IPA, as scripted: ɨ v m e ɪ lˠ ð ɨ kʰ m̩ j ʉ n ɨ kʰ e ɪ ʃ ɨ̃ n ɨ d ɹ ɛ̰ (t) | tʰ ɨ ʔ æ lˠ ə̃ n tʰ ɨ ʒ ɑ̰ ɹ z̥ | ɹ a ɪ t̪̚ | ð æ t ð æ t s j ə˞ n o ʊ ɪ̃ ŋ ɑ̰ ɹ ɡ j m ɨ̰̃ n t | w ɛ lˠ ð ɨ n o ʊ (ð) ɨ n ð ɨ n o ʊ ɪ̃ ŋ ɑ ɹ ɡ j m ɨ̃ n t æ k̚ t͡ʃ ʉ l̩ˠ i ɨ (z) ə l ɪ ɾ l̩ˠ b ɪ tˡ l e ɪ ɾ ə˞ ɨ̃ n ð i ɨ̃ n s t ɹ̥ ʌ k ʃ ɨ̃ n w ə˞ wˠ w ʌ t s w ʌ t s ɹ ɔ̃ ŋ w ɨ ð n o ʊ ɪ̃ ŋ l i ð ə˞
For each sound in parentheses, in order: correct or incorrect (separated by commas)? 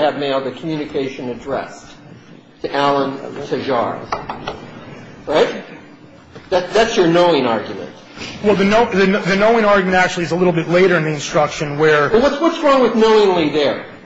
incorrect, correct, correct